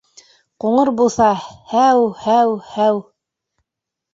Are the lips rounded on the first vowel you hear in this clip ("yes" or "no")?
yes